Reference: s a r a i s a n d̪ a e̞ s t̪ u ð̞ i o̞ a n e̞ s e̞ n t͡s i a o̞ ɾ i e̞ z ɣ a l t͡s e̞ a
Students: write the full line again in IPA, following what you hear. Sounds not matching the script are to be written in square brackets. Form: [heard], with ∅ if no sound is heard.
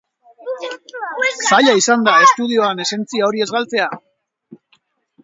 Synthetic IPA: s a [ʎ] a i s a n d̪ a e̞ s t̪ u ð̞ i o̞ a n e̞ s e̞ n t͡s i a o̞ ɾ i e̞ z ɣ a l t͡s e̞ a